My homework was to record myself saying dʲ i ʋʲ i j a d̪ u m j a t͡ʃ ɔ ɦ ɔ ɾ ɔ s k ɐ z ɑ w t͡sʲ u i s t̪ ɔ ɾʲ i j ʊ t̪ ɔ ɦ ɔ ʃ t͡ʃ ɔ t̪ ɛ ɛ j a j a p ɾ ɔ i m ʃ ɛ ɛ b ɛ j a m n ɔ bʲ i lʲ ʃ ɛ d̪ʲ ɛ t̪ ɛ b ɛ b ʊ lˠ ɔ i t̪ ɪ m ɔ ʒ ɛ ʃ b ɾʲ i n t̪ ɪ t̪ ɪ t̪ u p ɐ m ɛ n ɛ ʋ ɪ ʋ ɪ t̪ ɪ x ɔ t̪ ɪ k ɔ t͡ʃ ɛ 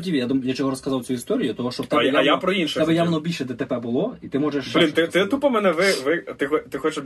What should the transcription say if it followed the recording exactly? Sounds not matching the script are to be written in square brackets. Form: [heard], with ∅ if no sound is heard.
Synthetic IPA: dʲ i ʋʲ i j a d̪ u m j a t͡ʃ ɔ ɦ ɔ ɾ ɔ s k ɐ z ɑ w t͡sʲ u i s t̪ ɔ ɾʲ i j ʊ t̪ ɔ ɦ ɔ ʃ t͡ʃ ɔ t̪ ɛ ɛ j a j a p ɾ ɔ i [n] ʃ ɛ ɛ b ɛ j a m n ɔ bʲ i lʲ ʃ ɛ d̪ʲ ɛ t̪ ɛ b ɛ b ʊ lˠ ɔ i t̪ ɪ m ɔ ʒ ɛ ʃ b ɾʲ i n t̪ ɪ t̪ ɪ t̪ u p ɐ m ɛ n ɛ ʋ ɪ ʋ ɪ t̪ ɪ x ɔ t̪ ɪ [x] ɔ t͡ʃ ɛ